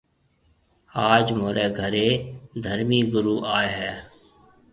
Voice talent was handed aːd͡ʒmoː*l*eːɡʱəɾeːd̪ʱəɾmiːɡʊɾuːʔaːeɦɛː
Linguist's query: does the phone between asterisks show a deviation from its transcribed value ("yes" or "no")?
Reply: yes